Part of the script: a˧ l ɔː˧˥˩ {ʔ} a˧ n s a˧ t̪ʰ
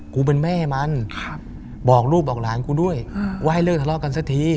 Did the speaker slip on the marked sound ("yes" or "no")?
yes